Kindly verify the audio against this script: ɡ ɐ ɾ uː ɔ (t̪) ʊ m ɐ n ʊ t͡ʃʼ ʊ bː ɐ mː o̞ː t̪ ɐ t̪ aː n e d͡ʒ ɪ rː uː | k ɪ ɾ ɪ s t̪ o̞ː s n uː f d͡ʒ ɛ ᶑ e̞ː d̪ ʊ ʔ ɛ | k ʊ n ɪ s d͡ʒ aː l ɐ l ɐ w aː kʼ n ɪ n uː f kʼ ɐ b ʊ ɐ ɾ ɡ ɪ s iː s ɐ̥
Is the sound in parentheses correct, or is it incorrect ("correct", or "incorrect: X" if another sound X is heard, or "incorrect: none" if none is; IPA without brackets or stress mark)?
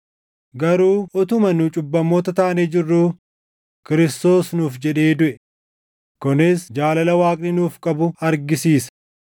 correct